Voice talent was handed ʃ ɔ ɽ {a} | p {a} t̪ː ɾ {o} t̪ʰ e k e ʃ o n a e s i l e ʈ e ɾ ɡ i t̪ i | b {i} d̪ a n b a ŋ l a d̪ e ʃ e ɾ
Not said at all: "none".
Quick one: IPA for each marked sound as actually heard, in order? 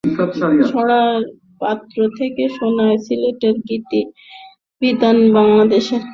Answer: a, a, o, i

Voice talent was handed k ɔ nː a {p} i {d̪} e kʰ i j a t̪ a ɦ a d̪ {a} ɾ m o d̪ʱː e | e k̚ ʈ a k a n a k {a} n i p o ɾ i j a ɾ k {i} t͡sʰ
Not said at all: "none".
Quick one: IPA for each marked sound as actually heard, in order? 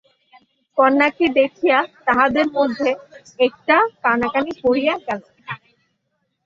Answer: k, d̪, e, a, a

